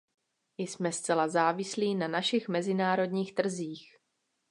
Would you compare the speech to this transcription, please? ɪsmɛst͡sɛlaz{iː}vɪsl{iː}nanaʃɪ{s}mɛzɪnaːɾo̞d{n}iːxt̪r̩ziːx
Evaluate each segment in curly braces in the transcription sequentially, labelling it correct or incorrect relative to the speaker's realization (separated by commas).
incorrect, correct, incorrect, incorrect